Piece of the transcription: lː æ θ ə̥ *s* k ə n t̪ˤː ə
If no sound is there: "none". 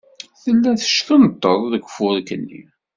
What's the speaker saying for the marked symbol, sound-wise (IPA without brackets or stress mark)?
ʃ